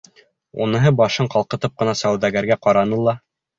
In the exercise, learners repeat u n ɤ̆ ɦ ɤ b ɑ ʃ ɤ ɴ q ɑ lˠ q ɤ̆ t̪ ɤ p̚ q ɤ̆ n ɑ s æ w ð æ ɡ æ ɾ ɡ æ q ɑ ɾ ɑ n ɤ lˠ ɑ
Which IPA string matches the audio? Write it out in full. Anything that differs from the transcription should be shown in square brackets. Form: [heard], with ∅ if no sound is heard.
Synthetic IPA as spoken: u n ɤ̆ ɦ ɤ b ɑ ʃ ɤ ɴ q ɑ lˠ q ɤ̆ t̪ ɤ p̚ q ɤ̆ n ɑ s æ w ð æ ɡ æ ɾ ɡ æ q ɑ ɾ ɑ n ɤ lˠ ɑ